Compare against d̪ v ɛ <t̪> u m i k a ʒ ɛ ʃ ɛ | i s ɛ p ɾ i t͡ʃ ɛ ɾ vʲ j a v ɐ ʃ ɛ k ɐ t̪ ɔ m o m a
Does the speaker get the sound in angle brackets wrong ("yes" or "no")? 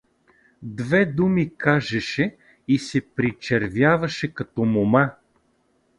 yes